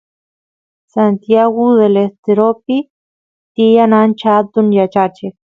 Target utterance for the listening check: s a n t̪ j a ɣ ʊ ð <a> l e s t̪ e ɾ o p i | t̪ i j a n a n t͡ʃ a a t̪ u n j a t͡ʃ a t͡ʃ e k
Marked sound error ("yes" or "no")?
yes